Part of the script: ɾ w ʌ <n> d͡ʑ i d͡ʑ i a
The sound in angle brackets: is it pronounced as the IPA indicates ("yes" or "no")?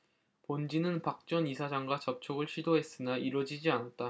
no